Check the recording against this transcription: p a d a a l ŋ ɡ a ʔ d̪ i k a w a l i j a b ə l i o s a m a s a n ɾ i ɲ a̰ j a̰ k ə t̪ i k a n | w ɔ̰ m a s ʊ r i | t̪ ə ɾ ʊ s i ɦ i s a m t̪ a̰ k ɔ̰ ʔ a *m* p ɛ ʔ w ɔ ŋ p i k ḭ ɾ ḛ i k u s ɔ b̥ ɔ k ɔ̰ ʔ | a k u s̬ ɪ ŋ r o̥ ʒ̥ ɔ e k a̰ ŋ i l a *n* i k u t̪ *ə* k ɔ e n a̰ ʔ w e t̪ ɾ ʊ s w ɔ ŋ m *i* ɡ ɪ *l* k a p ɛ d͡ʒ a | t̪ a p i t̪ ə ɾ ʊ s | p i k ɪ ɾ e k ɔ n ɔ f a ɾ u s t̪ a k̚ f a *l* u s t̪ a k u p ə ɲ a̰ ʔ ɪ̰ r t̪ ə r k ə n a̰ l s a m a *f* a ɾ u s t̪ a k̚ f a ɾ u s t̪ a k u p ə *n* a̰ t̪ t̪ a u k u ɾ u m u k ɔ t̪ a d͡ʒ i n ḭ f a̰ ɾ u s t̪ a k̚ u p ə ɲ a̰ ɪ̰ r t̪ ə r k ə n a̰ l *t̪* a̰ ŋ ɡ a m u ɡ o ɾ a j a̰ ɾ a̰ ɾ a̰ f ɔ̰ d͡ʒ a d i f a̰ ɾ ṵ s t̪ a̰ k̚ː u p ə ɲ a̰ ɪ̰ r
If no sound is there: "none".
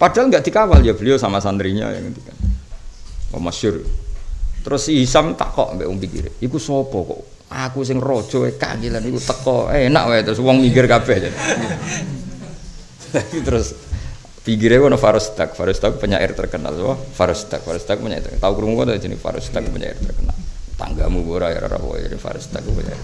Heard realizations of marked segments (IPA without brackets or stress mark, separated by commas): m, n, ə, i, r, ɾ, f, ɲ, t̪